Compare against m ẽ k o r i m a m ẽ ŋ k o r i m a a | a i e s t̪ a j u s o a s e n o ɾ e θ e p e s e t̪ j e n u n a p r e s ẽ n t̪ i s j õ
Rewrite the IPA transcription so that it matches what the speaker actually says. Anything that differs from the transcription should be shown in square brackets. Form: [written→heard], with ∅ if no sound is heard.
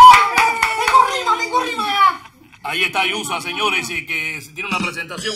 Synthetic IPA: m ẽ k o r i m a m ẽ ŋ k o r i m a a | a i e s t̪ a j u s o a s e [n→ɲ] o ɾ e [θ→s] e [p→k] e s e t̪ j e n u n a p [r→ɾ] e s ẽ n t̪ [i→a] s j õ

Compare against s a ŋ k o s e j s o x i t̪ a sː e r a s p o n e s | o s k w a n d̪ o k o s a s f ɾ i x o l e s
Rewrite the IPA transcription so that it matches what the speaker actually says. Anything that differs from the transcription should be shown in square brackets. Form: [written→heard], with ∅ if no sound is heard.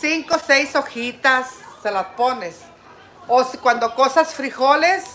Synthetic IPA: s [a→i] ŋ k o s e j s o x i t̪ a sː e [r→l] a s p o n e s | o s k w a n d̪ o k o s a s f ɾ i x o l e s

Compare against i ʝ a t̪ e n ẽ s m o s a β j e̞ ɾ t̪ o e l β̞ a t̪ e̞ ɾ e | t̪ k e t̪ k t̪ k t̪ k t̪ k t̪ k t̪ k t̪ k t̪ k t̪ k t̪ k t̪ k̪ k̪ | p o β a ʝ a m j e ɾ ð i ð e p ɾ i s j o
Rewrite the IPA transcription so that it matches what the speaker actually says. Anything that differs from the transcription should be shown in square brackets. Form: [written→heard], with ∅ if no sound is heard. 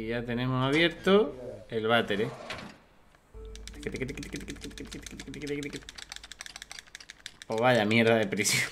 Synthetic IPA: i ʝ a t̪ e n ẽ [s→∅] m o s a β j e̞ ɾ t̪ o e l β̞ a t̪ e̞ ɾ e | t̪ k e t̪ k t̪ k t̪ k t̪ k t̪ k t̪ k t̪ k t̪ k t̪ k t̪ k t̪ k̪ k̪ | p o β a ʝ a m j e ɾ ð [i→a] ð e p ɾ i s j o

